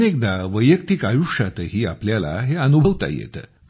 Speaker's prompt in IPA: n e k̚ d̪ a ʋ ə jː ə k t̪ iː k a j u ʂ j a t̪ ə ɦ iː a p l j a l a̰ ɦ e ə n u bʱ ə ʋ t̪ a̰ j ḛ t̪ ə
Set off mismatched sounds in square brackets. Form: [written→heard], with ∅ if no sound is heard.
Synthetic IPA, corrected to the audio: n e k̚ d̪ a ʋ ə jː ə k t̪ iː k a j u ʂ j a t̪ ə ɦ iː a p l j a l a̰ ɦ e ə n u bʱ ə ʋ t̪ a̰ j ḛ t̪ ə